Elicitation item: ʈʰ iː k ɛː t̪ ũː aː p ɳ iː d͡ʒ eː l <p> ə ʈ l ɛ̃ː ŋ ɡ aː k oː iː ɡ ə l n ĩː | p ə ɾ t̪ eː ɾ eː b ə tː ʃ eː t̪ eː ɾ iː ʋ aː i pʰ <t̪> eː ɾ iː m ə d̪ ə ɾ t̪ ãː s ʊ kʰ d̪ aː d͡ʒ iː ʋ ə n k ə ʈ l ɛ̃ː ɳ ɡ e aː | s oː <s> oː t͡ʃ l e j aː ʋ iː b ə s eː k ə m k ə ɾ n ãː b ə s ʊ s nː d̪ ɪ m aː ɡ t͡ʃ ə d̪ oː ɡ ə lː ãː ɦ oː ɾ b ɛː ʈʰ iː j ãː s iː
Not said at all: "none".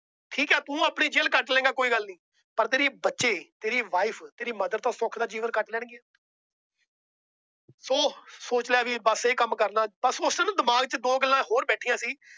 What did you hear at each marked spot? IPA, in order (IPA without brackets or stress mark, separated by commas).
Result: k, t̪, s